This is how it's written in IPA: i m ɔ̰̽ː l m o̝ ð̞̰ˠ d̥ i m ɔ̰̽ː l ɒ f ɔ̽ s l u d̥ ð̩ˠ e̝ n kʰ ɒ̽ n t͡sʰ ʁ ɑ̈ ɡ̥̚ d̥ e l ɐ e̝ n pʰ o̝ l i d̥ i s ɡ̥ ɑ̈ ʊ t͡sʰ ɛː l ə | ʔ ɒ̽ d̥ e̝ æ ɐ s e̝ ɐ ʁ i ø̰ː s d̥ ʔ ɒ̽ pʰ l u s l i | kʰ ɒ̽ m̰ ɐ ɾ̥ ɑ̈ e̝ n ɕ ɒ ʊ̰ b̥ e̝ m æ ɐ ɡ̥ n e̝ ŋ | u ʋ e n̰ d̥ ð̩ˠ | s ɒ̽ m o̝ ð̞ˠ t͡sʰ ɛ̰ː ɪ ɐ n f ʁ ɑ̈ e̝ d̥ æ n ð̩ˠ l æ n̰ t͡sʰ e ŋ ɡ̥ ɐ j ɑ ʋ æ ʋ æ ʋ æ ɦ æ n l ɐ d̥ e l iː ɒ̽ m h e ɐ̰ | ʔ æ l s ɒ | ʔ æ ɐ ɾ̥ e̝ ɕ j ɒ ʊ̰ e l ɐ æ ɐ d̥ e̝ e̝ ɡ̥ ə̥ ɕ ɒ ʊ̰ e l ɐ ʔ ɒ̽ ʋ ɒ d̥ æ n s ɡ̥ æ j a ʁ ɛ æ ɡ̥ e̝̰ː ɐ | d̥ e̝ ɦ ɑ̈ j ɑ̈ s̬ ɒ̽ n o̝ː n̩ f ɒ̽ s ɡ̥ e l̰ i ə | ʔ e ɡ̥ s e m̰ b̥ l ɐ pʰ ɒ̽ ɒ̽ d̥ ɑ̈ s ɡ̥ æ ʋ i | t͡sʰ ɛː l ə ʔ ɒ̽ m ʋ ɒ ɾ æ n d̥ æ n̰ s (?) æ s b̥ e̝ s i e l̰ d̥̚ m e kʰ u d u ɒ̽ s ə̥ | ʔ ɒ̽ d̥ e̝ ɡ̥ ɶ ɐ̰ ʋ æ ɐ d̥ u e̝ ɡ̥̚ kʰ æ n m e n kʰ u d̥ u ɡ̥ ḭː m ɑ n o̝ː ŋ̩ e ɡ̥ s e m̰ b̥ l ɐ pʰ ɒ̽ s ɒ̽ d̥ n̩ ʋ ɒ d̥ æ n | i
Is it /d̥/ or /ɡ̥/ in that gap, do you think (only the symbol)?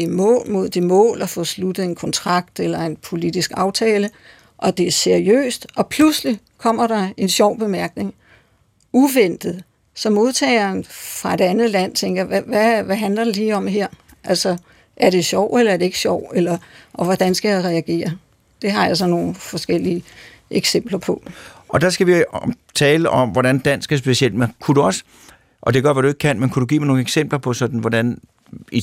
ɡ̥